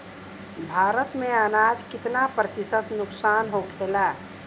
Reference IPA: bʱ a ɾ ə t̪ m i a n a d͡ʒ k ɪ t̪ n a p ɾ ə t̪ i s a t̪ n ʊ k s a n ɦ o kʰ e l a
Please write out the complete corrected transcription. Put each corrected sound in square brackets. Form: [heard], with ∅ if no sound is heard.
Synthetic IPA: bʱ a ɾ ə t̪ m [e] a n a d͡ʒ k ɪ t̪ n a p ɾ ə t̪ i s [ə] t̪ n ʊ k s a n ɦ o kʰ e l a